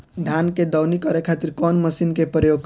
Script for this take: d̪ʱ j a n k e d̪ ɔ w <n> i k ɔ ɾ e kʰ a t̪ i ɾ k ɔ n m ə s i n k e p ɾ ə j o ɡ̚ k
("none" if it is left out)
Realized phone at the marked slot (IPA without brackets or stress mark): n